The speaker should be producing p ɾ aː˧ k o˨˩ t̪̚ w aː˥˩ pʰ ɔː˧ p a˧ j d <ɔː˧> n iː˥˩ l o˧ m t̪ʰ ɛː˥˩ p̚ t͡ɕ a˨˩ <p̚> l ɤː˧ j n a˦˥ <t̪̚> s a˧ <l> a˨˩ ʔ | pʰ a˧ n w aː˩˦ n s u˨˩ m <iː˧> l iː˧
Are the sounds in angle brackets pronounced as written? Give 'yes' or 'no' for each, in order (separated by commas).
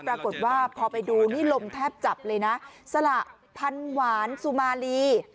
no, yes, no, yes, no